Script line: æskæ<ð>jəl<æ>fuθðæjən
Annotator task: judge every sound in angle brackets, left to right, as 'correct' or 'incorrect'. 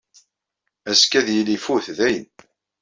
correct, incorrect: i

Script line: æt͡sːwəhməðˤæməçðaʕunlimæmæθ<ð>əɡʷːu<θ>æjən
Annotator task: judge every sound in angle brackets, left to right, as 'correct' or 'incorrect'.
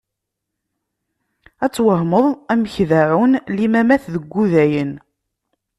correct, incorrect: ð

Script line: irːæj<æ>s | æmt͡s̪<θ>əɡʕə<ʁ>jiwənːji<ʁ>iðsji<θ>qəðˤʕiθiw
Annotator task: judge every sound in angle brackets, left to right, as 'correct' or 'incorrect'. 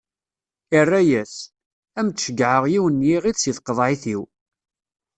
correct, incorrect: ʃ, correct, correct, correct

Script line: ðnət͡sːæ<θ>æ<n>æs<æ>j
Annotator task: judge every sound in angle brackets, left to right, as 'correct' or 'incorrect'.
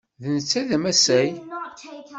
incorrect: ð, incorrect: m, correct

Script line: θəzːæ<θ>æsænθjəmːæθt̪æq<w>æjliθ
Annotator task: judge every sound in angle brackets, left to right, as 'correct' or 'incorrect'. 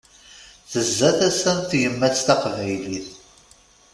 correct, incorrect: v

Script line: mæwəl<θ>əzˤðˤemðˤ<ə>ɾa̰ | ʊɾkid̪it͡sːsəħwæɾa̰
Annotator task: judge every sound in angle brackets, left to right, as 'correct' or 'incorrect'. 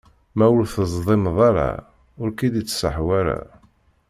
correct, incorrect: ɑ

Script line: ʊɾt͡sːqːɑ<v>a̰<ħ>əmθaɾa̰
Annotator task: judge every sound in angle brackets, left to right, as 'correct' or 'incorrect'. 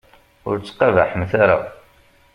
correct, correct

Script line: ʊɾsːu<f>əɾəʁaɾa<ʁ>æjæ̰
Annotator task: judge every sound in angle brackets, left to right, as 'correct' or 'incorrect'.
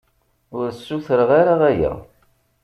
incorrect: θ, correct

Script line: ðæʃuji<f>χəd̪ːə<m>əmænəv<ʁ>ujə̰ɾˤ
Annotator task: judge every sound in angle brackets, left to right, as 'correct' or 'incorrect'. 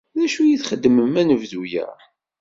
incorrect: θ, correct, incorrect: ð

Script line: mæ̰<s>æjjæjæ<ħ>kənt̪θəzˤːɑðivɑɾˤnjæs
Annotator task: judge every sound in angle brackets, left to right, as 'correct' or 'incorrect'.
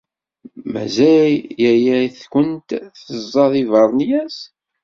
incorrect: z, incorrect: θ

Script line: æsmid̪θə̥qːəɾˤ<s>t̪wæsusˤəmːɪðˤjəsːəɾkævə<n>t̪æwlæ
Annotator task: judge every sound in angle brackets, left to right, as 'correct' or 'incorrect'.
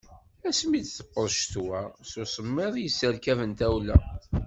incorrect: ʃ, correct

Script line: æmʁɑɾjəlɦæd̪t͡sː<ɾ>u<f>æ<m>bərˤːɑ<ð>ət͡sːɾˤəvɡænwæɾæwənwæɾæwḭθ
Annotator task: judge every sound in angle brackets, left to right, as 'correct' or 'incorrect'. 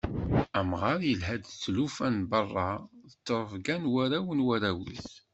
incorrect: l, correct, incorrect: n, correct

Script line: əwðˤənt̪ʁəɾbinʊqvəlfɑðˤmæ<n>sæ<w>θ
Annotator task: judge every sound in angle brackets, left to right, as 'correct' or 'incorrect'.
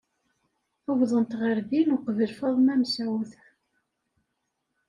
incorrect: m, correct

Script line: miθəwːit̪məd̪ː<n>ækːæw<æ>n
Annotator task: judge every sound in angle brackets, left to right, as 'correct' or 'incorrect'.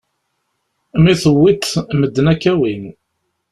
correct, incorrect: i

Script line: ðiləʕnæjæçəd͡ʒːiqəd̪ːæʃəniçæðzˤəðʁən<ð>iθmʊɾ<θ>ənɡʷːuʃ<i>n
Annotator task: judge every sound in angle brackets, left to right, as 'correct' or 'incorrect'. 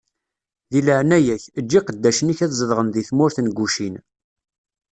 correct, correct, correct

